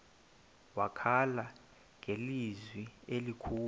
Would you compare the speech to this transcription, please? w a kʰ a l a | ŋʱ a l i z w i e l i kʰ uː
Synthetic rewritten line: w a kʰ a l a | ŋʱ e l i z w i e l i kʰ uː